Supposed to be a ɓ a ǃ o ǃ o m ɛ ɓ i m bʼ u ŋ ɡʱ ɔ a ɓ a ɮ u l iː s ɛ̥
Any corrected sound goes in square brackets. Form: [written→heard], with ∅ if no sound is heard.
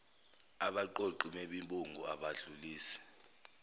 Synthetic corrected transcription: a ɓ a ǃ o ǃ [o→u] m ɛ ɓ i m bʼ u ŋ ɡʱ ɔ a ɓ a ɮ u l iː s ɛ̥